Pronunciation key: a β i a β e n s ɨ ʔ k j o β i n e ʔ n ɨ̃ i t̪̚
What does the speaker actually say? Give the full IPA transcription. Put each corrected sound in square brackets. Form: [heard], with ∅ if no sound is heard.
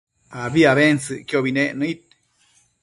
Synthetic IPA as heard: a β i a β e n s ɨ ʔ k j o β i n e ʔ n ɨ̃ i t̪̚